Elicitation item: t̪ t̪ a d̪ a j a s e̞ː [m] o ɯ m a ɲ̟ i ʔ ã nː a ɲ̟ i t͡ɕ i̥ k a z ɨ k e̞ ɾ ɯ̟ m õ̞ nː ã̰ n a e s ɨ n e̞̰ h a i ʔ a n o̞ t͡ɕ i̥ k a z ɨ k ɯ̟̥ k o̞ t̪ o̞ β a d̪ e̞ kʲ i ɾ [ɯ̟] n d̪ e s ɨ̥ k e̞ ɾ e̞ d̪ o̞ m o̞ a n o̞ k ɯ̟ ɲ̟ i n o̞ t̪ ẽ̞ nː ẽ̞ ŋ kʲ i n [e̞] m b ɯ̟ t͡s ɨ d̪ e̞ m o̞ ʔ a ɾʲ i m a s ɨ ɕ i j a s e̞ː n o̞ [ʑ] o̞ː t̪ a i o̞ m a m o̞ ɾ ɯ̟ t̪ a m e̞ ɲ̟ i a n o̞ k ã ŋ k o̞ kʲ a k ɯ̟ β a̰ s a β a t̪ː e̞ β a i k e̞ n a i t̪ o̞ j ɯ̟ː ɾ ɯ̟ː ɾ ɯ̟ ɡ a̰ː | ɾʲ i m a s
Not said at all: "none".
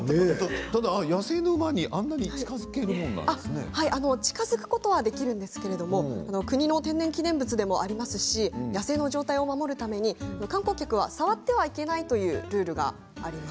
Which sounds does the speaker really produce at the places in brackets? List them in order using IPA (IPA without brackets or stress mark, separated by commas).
n, ɯ̟̃, ẽ̞, ʑ